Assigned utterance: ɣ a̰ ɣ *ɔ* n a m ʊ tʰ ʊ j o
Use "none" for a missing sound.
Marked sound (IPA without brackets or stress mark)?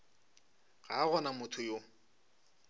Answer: ɔ